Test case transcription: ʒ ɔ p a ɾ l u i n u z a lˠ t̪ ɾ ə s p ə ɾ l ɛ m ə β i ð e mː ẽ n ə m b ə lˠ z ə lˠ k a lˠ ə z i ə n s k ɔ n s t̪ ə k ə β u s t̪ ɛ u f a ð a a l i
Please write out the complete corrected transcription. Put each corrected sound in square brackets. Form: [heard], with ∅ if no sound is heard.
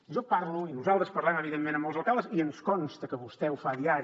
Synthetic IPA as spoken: ʒ ɔ p a ɾ l u i n u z a lˠ t̪ ɾ ə s p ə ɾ l ɛ m ə β i ð e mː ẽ n ə m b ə lˠ z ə lˠ k a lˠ ə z i ə n s k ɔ n s t̪ ə k ə β u s t̪ ɛ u f a ð [i] a [ɾ] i